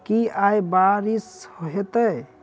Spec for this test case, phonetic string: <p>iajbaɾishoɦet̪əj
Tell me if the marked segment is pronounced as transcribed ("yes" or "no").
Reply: no